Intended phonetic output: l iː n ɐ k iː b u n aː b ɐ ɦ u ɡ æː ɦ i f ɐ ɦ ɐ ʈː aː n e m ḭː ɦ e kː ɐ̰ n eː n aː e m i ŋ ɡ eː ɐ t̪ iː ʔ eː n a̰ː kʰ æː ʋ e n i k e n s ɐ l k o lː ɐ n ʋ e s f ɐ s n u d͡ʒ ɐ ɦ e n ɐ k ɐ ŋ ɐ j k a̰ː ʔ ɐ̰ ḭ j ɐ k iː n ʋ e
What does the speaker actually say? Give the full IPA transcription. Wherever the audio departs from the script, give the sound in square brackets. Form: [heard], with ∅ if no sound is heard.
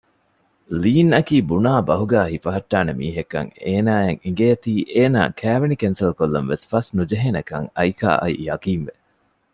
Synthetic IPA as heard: l iː n ɐ k iː b u n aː b ɐ ɦ u ɡ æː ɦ i f ɐ ɦ ɐ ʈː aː n e m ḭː ɦ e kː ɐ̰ [ŋ] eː n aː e [ŋ] i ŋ ɡ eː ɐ t̪ iː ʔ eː n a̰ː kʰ æː ʋ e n i k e n s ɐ l k o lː ɐ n ʋ e s f ɐ s n u d͡ʒ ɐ ɦ e n ɐ k ɐ ŋ ɐ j k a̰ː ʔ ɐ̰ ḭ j ɐ k iː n ʋ e